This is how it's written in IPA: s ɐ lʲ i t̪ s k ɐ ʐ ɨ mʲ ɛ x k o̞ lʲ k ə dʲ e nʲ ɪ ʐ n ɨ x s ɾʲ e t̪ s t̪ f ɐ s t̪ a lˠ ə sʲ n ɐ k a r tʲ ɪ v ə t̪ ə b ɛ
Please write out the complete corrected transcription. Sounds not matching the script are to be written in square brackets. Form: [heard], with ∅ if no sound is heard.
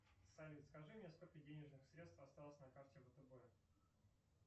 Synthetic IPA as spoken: s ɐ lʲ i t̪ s k ɐ ʐ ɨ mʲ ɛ [s] k o̞ lʲ k ə dʲ e nʲ ɪ ʐ n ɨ x s ɾʲ e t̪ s t̪ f ɐ s t̪ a lˠ ə sʲ n ɐ k a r tʲ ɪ v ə t̪ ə b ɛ